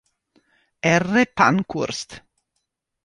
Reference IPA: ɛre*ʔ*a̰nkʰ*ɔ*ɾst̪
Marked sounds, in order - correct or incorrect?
incorrect: p, incorrect: u

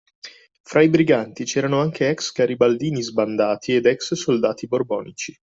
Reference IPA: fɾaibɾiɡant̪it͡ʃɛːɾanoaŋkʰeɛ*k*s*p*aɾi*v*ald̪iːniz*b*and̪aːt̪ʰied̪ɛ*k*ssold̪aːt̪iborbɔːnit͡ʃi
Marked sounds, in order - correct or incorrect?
correct, incorrect: k, incorrect: b, correct, correct

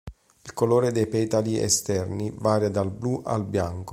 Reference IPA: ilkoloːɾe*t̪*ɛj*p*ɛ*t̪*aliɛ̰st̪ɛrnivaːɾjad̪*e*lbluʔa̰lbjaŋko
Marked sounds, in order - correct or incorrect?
incorrect: d̪, correct, correct, incorrect: a

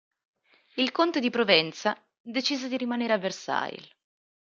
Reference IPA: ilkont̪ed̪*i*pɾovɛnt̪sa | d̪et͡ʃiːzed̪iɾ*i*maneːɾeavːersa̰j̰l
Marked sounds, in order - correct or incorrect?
correct, correct

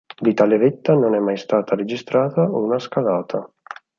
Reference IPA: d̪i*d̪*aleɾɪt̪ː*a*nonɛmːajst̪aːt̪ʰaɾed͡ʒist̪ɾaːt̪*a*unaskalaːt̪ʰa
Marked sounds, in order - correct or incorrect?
incorrect: t̪, correct, correct

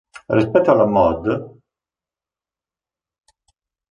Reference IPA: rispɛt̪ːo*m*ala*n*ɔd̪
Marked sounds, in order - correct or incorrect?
incorrect: none, incorrect: m

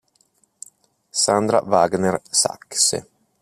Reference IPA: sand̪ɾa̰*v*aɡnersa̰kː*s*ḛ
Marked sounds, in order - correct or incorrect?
correct, correct

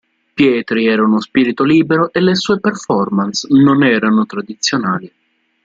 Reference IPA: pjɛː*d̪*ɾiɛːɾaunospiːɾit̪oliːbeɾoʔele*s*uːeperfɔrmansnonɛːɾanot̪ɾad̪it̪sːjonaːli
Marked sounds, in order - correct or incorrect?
incorrect: t̪, correct

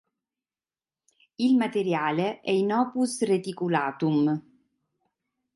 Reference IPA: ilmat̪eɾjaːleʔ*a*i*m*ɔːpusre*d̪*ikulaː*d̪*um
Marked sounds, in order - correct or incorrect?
incorrect: ɛ, incorrect: n, incorrect: t̪, incorrect: t̪

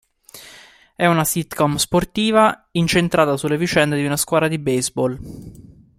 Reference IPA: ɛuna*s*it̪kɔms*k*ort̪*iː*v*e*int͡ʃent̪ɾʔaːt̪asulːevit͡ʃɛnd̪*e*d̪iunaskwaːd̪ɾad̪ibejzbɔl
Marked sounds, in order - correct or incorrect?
correct, incorrect: p, correct, incorrect: a, correct

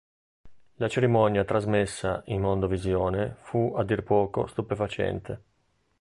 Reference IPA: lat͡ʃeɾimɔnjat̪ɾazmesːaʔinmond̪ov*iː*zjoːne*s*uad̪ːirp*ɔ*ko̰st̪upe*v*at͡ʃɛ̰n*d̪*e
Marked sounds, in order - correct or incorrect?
incorrect: i, incorrect: f, incorrect: ɔː, incorrect: f, incorrect: t̪

